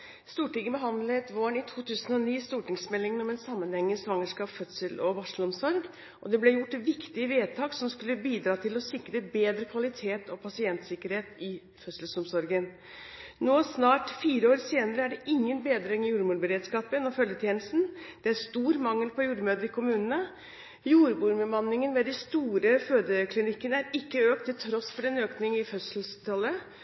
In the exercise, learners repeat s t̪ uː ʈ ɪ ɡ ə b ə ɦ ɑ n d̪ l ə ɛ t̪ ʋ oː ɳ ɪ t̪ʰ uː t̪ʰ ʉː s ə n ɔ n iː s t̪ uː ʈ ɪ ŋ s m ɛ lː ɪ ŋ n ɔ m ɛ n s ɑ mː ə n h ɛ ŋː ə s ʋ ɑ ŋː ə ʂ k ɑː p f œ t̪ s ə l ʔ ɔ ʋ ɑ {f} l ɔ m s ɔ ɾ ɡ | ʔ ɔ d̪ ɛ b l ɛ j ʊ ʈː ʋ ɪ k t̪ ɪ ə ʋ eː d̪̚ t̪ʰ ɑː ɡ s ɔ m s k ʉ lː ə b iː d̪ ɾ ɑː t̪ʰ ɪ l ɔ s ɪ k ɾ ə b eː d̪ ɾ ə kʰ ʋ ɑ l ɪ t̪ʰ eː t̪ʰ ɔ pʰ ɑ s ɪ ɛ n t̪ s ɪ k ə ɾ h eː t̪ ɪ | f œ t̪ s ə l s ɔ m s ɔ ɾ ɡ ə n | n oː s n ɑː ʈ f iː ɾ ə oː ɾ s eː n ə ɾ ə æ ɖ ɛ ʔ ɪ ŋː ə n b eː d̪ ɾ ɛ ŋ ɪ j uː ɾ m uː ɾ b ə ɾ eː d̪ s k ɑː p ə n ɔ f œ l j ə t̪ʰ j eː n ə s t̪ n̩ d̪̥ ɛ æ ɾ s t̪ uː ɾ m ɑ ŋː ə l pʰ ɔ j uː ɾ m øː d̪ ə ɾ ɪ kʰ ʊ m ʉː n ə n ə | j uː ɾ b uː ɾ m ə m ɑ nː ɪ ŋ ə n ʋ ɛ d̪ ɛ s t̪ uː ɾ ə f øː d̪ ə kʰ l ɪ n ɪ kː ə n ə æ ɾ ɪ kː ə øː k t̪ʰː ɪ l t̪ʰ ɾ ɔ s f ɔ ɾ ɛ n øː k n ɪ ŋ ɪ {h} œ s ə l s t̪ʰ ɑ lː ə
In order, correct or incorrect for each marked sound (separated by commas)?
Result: incorrect, incorrect